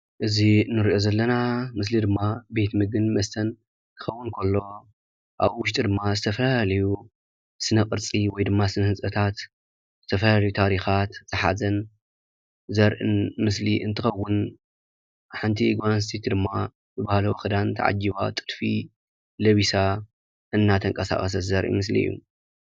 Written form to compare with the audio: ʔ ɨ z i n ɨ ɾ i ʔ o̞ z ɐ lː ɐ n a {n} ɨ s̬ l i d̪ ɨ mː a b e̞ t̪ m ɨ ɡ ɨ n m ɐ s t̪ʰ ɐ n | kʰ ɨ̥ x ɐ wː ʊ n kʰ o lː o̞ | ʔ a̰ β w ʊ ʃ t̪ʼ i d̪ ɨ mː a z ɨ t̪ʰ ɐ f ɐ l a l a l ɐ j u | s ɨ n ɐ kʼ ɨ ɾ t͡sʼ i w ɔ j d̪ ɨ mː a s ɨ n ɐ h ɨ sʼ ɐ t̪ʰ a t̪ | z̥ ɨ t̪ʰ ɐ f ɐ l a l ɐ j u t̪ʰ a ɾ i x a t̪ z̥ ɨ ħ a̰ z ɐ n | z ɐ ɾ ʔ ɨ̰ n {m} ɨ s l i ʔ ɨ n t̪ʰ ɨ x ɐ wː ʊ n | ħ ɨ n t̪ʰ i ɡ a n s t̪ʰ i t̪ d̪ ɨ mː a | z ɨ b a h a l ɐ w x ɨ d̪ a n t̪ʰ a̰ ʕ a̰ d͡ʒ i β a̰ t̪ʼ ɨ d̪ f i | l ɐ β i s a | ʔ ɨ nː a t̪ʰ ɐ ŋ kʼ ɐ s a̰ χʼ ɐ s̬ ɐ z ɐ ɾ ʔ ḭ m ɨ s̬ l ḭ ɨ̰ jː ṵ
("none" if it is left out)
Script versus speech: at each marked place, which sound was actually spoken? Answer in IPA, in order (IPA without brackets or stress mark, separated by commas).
m, m